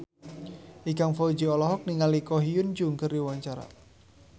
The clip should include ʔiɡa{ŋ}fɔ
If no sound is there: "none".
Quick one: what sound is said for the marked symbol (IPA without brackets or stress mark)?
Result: ŋ